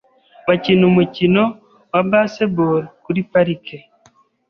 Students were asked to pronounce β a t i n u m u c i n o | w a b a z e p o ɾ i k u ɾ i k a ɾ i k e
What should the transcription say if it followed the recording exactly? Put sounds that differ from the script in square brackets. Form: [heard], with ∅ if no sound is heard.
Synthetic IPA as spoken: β a [c] i n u m u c i n o | w a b a [s] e [b] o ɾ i k u ɾ i [p] a ɾ i k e